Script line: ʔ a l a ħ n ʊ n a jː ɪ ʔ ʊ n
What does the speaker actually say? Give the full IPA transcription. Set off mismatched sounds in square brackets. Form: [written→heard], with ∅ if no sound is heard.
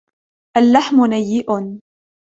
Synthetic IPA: ʔ a [l→lː] a ħ [n→m] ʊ n a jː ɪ ʔ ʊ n